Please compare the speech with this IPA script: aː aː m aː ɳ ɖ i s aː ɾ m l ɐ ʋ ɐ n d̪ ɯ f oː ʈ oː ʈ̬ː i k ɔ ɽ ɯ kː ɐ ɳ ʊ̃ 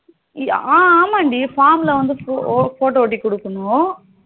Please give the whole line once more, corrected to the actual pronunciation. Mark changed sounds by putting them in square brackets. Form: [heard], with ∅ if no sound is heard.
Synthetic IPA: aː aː m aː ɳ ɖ i [f] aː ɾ m l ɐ ʋ ɐ n d̪ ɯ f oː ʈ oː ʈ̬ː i k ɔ ɽ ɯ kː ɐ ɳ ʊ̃